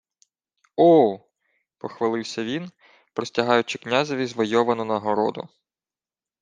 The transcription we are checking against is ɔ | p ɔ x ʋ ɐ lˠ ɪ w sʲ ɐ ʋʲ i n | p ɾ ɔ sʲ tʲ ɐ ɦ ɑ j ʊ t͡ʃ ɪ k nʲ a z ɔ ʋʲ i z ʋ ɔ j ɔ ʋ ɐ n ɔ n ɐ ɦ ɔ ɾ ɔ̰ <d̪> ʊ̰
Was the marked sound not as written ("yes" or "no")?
no